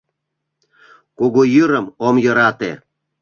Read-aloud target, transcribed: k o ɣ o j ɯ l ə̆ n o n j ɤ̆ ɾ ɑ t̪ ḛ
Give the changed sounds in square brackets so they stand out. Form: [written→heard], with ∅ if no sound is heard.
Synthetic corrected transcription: k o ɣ o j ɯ [l→ɾ] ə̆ [n→m] o [n→m] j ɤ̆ ɾ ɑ t̪ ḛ